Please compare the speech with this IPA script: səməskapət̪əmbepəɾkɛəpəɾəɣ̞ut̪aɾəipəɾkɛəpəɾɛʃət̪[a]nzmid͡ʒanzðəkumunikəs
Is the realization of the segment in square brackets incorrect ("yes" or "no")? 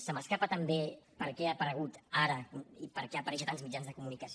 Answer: no